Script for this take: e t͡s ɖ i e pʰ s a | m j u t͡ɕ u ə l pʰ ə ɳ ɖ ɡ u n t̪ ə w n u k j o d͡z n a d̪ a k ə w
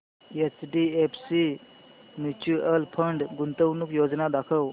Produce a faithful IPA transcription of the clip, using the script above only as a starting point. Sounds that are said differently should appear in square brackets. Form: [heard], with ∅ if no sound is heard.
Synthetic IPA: e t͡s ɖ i e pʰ s [i] | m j u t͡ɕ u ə l pʰ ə ɳ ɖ ɡ u n t̪ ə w n u k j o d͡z n a d̪ a [kʰ] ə w